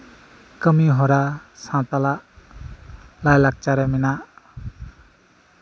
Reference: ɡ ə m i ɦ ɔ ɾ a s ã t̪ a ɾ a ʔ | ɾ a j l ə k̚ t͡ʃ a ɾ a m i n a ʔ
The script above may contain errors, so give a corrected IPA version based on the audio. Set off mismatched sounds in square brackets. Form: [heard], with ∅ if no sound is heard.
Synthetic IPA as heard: [k] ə m i ɦ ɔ ɾ a s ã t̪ a [l] a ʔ | [l] a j l [a] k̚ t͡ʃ a ɾ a m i n a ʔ